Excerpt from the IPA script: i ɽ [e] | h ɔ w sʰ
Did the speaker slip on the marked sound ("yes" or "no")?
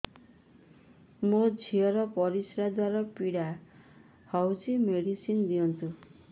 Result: yes